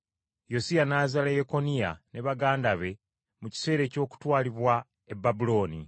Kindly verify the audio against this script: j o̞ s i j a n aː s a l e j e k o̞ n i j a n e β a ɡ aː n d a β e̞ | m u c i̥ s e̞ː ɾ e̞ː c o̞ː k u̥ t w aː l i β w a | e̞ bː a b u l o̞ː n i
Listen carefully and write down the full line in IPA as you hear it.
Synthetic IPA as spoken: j o̞ s i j a n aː z a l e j e k o̞ n i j a n e β a ɡ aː n d a β e̞ | m u c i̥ s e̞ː ɾ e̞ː c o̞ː k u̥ t w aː l i β w a | e̞ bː a b u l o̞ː n i